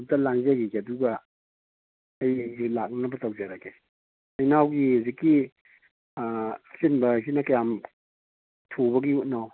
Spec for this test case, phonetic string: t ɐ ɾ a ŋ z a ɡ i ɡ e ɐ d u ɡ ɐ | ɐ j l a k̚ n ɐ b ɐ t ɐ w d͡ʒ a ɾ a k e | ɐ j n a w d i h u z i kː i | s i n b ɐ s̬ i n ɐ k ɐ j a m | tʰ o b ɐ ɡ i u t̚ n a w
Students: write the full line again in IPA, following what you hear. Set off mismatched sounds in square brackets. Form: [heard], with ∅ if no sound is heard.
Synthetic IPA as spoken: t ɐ [l] a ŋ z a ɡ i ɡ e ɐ d u ɡ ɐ | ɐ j l a k̚ n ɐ b ɐ t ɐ w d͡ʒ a ɾ a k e | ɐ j n a w [ɡ] i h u z i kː i | s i n b ɐ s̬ i n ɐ k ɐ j a m | tʰ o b ɐ ɡ i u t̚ n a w

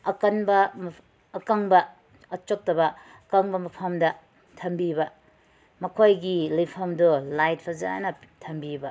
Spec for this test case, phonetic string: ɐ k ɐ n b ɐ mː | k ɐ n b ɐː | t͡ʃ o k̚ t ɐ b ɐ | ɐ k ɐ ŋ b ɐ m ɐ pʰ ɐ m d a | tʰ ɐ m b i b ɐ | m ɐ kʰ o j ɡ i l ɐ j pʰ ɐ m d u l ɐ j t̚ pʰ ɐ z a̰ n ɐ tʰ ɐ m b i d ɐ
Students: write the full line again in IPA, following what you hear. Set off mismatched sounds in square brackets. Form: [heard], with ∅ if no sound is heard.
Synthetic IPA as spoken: ɐ k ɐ n b ɐ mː | k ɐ [ŋ] b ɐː | t͡ʃ o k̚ t ɐ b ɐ | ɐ k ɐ ŋ b ɐ m ɐ pʰ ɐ m d [ɐ] | tʰ ɐ m b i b ɐ | m ɐ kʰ o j ɡ i l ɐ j pʰ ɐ m d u l [a] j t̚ pʰ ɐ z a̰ n ɐ tʰ ɐ m b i [b] ɐ

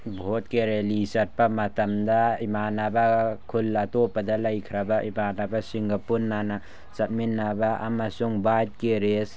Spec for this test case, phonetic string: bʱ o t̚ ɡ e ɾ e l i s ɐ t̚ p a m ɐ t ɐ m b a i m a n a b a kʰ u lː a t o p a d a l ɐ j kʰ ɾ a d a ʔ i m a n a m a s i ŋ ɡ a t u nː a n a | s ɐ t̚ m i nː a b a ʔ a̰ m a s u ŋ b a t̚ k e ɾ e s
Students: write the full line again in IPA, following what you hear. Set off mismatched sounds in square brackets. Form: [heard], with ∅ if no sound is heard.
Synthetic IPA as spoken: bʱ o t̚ [k] e ɾ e l i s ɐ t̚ p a m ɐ t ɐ m [d] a i m a n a b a kʰ u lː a t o p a d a l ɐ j kʰ ɾ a [b] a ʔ i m a n a [b] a s i ŋ ɡ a [p] u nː a n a | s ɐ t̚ m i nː a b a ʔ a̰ m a s u ŋ b a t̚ k e ɾ e s

